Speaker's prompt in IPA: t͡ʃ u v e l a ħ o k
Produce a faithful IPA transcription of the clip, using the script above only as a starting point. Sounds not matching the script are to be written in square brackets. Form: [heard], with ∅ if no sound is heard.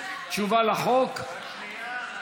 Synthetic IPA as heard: t͡ʃ u v [a] l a [χ] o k